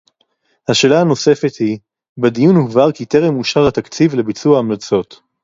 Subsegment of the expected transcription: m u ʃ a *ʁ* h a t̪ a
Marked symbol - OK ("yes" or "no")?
yes